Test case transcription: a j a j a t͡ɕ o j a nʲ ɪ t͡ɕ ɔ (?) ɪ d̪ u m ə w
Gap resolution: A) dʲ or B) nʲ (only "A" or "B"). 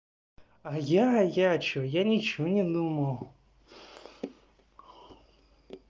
B